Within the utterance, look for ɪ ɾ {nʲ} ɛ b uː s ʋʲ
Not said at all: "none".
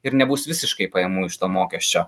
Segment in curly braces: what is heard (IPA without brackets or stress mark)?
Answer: nʲ